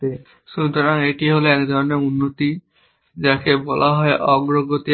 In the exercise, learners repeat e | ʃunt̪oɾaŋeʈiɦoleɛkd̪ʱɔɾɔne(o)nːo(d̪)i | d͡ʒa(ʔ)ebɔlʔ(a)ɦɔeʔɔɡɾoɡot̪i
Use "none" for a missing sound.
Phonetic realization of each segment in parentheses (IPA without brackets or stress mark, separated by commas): u, t̪, k, a